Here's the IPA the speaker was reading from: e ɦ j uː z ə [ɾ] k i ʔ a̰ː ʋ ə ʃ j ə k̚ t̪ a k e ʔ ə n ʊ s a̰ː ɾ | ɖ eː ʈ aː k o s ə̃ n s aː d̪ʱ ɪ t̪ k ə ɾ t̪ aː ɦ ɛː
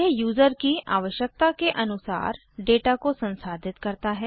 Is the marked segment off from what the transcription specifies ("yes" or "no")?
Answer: no